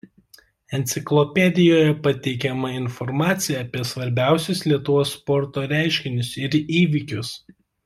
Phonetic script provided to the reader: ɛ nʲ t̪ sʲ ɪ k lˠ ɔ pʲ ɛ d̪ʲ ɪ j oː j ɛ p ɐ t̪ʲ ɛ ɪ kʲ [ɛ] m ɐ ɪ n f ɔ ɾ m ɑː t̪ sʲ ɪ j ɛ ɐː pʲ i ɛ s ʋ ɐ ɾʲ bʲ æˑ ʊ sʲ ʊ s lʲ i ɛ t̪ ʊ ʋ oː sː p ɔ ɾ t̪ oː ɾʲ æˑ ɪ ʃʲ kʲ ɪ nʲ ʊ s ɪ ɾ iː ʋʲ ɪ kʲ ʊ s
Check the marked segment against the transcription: correct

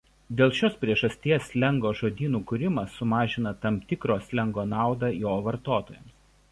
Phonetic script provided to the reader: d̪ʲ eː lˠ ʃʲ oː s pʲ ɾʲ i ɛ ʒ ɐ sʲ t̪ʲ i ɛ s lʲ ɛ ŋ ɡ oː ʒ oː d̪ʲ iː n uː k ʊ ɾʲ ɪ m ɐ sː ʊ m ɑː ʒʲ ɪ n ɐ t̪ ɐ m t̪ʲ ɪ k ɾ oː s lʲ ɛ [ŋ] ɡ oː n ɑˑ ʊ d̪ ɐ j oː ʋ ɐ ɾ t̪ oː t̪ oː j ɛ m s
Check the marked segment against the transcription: correct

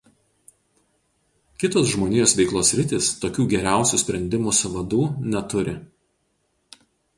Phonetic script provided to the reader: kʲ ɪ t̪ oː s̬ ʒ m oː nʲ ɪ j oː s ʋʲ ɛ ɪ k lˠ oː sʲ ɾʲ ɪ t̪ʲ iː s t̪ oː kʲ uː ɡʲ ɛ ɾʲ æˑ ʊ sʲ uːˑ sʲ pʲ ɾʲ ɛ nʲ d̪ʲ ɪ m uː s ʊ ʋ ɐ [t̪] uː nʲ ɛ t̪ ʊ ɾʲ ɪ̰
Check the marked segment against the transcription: incorrect: d̪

